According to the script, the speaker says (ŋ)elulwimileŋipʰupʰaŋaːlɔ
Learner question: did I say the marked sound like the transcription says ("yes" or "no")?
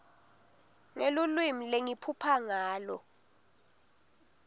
yes